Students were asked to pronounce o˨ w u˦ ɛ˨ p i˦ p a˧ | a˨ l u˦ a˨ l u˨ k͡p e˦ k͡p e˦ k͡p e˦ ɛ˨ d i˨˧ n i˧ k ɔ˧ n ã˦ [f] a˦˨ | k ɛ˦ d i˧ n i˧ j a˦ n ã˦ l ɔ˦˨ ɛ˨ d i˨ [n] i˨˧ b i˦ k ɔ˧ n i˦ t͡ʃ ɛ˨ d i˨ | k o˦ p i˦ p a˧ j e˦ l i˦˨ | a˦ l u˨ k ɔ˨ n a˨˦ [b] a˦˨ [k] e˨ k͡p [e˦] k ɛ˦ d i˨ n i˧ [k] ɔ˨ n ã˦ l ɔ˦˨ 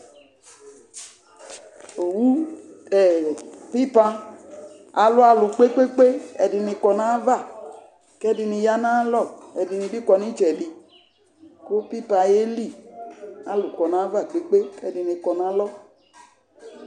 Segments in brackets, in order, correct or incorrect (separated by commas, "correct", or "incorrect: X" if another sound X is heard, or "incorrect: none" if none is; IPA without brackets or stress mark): incorrect: v, correct, incorrect: v, incorrect: k͡p, correct, correct